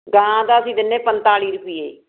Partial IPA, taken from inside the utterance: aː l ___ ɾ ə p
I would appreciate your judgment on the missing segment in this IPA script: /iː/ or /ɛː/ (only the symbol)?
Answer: iː